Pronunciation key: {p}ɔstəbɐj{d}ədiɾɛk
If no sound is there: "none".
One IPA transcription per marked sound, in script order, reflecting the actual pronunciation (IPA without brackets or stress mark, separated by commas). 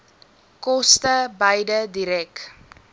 k, d